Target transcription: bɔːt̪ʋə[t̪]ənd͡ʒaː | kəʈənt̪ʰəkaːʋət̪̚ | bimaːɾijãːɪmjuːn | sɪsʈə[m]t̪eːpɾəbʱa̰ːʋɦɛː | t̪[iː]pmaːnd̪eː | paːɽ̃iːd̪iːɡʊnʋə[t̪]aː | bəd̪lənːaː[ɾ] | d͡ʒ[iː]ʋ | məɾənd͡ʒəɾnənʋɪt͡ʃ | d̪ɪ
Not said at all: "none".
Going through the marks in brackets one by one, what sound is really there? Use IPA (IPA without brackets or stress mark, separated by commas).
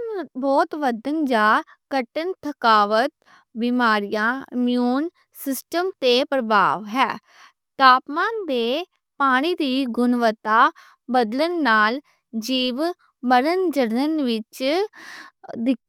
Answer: d̪, m, aː, t̪, l, iː